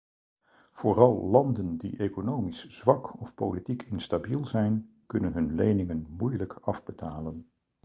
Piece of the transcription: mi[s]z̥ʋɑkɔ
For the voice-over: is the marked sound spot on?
yes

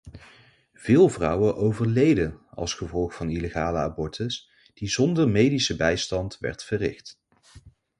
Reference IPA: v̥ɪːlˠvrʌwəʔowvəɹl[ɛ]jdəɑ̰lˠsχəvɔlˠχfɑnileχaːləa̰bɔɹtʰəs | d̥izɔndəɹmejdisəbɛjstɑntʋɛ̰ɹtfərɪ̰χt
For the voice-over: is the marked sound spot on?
no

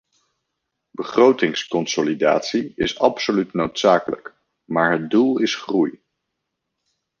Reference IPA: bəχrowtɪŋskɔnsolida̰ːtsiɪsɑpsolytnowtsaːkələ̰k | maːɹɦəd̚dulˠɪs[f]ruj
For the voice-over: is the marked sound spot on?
no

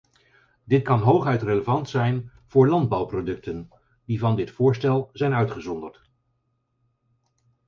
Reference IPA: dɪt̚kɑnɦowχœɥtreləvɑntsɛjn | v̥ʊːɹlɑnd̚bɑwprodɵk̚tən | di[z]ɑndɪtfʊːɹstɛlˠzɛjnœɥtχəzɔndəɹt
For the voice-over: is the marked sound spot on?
no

